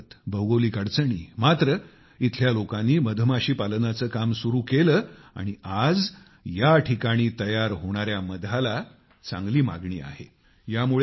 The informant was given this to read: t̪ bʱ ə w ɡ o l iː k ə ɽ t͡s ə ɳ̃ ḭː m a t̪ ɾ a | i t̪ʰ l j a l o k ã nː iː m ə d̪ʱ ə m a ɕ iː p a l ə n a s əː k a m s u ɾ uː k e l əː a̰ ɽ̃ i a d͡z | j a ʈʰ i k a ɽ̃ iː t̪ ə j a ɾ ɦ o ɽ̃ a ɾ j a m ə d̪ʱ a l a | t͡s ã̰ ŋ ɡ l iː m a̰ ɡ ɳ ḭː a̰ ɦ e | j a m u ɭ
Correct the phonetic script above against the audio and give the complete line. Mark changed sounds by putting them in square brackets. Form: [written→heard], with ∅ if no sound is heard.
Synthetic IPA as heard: t̪ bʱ ə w ɡ o l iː k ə ɽ t͡s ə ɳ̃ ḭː m a t̪ ɾ [a→ə] | i t̪ʰ l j a l o k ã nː iː m ə d̪ʱ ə m a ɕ iː p a l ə n a [s→t͡s] əː k a m s u ɾ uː k e l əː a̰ ɽ̃ i a d͡z | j a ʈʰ i k a ɽ̃ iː t̪ ə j a ɾ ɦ o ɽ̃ a ɾ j a m ə d̪ʱ a l a | t͡s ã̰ ŋ ɡ l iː m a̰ ɡ ɳ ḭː a̰ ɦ e | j a m u ɭ